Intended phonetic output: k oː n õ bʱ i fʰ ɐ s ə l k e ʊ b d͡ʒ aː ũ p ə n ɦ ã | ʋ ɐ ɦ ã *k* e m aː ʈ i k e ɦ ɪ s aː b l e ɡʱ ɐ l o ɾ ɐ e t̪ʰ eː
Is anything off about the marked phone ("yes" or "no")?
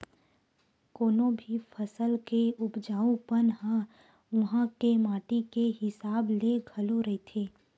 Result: no